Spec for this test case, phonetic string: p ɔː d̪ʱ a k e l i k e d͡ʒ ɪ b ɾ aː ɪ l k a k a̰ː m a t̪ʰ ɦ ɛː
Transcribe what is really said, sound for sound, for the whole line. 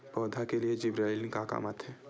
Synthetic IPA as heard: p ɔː d̪ʱ a k e l i e d͡ʒ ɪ b ɾ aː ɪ l k a k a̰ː m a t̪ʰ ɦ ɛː